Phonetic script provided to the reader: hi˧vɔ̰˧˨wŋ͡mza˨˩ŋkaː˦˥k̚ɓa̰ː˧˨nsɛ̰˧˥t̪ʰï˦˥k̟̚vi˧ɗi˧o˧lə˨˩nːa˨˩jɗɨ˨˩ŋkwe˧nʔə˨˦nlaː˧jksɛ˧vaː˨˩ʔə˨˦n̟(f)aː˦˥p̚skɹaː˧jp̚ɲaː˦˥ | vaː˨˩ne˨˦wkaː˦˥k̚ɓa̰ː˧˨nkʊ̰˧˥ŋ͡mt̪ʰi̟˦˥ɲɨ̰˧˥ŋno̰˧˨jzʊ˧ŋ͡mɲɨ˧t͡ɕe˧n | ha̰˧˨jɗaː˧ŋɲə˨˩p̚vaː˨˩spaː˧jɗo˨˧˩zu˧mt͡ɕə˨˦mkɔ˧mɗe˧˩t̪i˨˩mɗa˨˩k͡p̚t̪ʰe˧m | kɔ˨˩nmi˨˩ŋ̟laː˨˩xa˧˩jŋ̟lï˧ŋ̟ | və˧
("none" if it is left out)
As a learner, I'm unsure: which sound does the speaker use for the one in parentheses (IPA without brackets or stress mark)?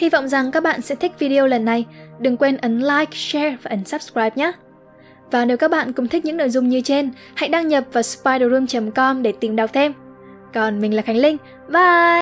s